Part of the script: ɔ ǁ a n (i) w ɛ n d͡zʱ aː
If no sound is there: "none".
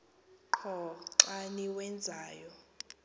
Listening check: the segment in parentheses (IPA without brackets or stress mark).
i